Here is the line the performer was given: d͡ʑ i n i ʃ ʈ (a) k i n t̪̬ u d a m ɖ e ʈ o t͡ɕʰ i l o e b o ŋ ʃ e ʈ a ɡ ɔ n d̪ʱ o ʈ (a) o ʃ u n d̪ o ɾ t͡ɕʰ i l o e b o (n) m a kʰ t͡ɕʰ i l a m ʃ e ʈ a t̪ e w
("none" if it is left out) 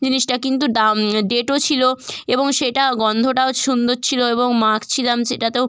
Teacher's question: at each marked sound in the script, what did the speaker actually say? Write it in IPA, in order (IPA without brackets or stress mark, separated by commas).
a, a, ŋ